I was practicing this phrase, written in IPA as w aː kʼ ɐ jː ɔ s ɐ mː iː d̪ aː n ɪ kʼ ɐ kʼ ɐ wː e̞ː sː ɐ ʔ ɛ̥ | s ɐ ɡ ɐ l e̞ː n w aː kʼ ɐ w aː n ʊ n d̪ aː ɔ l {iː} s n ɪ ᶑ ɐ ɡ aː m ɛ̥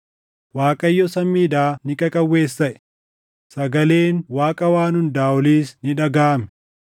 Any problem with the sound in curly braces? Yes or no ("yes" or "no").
no